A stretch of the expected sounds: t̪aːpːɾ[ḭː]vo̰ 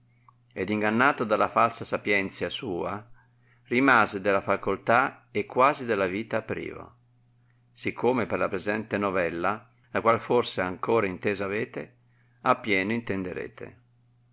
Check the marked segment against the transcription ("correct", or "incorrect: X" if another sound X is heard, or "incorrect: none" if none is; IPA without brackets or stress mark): correct